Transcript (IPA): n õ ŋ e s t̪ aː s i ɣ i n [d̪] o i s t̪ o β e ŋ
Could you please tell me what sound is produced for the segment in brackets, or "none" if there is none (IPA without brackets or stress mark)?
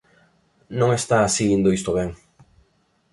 d̪